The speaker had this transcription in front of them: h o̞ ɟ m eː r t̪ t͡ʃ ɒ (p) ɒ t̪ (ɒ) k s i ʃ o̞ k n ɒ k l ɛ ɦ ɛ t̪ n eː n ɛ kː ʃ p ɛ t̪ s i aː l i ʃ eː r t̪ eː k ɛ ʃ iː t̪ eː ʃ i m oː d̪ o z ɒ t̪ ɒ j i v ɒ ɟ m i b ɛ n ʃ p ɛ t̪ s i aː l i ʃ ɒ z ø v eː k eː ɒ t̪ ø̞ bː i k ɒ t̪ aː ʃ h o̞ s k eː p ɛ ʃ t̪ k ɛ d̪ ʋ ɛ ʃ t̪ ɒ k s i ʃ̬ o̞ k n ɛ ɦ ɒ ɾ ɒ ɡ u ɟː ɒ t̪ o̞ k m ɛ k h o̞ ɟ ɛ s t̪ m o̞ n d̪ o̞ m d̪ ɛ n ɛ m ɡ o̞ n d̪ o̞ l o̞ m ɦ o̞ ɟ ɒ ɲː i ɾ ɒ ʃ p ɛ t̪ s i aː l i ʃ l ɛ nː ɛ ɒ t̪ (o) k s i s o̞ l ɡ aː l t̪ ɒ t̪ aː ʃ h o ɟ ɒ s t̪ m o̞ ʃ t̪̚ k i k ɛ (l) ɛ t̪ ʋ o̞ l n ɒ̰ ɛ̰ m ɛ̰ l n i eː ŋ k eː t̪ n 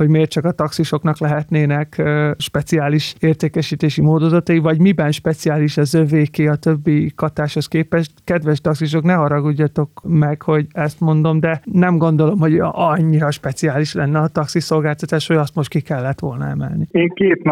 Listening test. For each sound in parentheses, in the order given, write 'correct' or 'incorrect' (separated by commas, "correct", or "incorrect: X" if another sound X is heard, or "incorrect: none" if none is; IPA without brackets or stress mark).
incorrect: k, correct, incorrect: ɒ, incorrect: lː